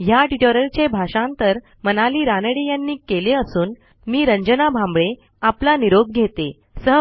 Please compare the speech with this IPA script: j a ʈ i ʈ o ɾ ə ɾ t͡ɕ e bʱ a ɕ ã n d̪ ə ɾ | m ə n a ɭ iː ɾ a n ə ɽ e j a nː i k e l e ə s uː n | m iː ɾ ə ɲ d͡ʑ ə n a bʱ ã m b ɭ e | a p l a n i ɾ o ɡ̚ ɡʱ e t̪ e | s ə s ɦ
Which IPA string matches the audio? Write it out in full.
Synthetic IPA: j a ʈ i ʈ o ɾ ə ɾ t͡ɕ e bʱ a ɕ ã n t̪ ə ɾ | m ə n a l iː ɾ a n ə ɽ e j a nː iː k e l e ə s uː n | m iː ɾ ə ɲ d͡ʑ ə n a bʱ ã m b ɭ e | a p l a n i ɾ o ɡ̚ ɡʱ e t̪ e | s ə ɦ